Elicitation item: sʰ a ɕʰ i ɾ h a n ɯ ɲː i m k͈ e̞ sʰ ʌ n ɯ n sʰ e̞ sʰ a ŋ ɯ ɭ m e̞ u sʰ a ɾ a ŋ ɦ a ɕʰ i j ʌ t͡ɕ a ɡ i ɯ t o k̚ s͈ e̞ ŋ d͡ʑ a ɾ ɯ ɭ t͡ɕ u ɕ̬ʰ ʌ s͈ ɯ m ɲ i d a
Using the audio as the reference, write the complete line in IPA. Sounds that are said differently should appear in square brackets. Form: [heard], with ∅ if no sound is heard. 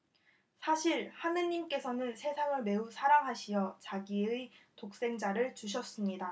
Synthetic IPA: sʰ a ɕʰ i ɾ h a n ɯ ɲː i m k͈ e̞ sʰ ʌ n ɯ n sʰ e̞ sʰ a ŋ ɯ ɭ m e̞ u sʰ a ɾ a ŋ ɦ a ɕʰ i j ʌ t͡ɕ a ɡ i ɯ t o k̚ s͈ e̞ ŋ d͡ʑ a ɾ ɯ ɭ t͡ɕ u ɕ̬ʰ ʌ s͈ ɯ m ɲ i d a